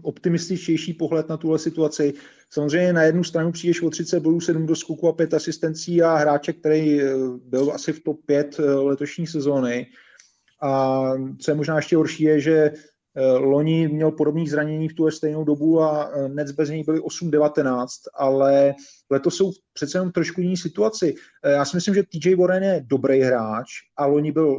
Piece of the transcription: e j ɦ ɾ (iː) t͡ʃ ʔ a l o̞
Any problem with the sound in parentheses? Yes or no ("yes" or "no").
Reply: yes